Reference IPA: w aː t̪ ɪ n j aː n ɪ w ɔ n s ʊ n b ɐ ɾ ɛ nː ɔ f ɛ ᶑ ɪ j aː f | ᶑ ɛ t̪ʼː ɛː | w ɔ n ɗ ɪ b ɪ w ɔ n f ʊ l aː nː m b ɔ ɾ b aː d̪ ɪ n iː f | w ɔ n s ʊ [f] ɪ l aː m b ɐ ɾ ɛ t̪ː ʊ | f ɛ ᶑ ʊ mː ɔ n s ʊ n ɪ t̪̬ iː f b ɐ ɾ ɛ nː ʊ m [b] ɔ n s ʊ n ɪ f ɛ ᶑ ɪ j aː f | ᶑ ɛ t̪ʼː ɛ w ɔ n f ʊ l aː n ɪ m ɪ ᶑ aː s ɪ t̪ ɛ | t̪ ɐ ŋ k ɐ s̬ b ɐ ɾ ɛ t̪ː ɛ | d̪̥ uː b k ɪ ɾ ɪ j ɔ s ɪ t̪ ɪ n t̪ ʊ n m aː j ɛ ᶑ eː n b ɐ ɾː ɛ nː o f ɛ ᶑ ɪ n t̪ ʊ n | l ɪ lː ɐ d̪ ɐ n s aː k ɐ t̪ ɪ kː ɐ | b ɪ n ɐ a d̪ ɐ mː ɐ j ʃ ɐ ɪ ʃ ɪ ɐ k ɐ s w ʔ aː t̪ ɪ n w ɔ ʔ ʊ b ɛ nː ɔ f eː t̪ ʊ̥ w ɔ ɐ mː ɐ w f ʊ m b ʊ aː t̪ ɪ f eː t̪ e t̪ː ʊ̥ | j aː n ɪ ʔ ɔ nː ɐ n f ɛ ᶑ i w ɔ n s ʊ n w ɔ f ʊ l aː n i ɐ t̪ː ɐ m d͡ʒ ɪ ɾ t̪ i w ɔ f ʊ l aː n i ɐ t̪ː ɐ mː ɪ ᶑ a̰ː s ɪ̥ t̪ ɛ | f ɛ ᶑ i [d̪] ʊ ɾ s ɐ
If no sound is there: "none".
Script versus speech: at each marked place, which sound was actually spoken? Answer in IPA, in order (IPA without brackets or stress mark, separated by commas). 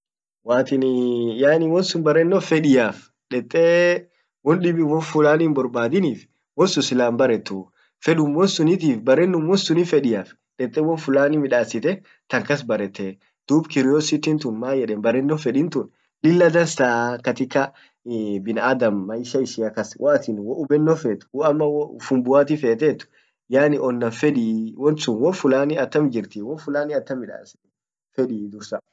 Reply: s, w, d̪